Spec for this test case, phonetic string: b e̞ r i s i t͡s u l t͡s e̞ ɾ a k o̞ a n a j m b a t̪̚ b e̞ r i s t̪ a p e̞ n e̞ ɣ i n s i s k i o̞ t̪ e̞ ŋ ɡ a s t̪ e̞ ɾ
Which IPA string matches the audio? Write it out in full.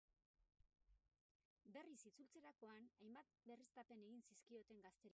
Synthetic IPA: b e̞ r i s i t͡s u l t͡s e̞ ɾ a k o̞ a n a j m b a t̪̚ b e̞ r i s t̪ a p e̞ n e̞ ɣ i n s i s k i o̞ t̪ e̞ ŋ ɡ a s t̪ e̞ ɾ